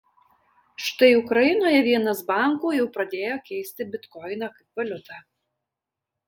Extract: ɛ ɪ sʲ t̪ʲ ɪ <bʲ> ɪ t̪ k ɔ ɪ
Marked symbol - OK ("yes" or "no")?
yes